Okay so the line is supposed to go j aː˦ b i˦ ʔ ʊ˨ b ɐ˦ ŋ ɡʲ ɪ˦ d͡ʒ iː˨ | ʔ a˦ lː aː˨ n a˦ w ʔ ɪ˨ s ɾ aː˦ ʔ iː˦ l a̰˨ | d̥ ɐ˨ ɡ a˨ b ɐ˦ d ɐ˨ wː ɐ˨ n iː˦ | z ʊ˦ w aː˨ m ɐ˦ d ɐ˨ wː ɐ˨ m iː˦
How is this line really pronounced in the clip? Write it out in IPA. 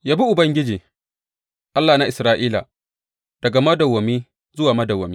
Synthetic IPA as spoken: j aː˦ b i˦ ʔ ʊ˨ b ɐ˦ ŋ ɡʲ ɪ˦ d͡ʒ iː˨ | ʔ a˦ lː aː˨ n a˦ ʔ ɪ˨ s ɾ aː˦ ʔ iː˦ l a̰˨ | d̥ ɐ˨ ɡ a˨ m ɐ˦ d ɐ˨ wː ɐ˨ m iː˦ | z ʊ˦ w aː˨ m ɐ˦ d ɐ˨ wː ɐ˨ m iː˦